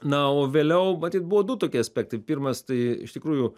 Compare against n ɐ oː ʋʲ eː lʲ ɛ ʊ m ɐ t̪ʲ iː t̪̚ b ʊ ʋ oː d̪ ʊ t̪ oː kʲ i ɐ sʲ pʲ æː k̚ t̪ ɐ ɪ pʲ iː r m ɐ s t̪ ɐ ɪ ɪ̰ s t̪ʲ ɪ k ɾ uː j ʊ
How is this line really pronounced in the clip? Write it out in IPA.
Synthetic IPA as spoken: n ɐ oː ʋʲ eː lʲ ɛ ʊ m ɐ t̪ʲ iː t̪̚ b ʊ ʋ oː d̪ ʊ t̪ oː kʲ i ɐ sʲ pʲ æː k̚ t̪ ɐ ɪ pʲ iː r m ɐ s t̪ ɐ ɪ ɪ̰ ʃ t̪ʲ ɪ k ɾ uː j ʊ